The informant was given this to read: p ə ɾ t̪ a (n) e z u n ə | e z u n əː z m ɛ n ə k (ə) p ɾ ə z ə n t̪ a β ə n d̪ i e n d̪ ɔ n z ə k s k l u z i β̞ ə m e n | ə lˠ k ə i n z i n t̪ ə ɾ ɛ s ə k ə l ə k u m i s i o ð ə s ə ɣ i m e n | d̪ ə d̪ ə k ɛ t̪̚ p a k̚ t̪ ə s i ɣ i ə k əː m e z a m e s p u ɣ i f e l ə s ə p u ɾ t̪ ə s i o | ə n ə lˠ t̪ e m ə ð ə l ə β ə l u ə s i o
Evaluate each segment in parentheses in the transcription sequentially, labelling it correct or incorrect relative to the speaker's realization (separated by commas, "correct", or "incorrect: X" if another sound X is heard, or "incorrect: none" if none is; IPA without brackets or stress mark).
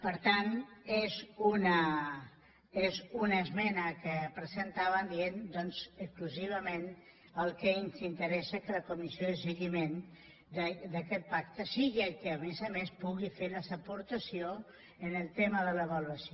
correct, correct